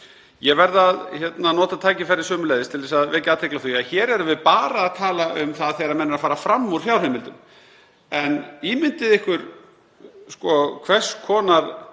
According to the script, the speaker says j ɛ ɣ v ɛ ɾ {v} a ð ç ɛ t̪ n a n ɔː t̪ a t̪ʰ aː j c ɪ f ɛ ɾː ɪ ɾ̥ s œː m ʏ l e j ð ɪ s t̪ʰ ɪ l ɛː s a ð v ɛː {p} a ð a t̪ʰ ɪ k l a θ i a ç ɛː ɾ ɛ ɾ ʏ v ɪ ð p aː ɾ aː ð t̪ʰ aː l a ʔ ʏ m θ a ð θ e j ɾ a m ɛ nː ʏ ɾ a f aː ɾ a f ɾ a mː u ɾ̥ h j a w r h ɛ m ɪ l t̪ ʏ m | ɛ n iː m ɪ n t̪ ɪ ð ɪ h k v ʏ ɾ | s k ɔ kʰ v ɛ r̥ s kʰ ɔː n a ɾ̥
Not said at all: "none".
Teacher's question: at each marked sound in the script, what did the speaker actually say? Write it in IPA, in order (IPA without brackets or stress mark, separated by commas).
ð, c